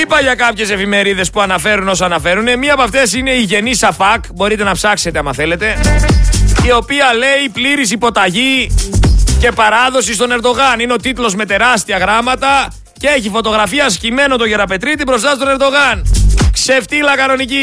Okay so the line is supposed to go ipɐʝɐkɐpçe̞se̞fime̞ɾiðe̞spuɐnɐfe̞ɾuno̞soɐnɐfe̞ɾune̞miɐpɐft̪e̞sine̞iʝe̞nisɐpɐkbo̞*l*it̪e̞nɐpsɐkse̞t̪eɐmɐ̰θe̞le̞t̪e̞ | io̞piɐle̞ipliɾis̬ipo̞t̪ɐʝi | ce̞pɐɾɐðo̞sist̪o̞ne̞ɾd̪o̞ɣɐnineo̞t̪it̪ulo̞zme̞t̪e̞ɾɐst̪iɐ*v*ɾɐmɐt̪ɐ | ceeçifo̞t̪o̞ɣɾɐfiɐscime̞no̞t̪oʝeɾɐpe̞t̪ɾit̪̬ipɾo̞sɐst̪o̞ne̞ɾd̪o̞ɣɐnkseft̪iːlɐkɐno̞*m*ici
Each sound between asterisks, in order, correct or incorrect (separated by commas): incorrect, incorrect, incorrect